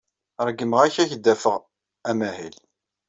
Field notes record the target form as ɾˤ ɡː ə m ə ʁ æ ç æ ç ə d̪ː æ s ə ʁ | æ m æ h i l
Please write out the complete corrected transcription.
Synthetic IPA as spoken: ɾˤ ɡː ə m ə ʁ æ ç æ ç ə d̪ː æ f ə ʁ | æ m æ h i l

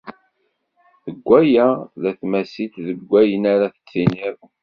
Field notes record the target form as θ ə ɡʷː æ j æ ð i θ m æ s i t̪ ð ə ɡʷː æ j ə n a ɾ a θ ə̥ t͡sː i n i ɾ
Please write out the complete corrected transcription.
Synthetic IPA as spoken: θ ə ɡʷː æ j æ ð æ θ m æ s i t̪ ð ə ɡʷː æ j ə n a ɾ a θ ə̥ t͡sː i n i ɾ

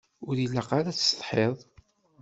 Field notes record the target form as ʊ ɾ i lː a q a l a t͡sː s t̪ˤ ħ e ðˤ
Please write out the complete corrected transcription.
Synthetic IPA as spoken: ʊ ɾ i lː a q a ɾ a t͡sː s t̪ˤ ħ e ðˤ

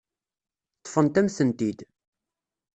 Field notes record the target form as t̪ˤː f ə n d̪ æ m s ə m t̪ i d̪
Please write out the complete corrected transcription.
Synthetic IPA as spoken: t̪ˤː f ə n t̪ æ m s ə n t̪ i d̪

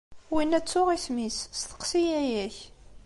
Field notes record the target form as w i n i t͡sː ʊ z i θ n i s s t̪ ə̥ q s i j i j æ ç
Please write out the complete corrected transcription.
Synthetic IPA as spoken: w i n æ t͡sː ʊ ʁ i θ m i s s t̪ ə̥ q s i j æ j æ ç

